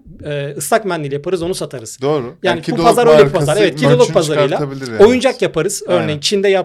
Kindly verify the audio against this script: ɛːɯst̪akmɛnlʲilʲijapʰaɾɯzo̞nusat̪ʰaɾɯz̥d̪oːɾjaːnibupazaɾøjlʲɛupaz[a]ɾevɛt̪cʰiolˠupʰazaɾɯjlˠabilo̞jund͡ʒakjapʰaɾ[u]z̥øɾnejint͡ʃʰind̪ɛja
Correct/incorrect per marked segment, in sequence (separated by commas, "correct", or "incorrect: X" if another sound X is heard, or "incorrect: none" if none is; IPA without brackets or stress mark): correct, incorrect: ɯ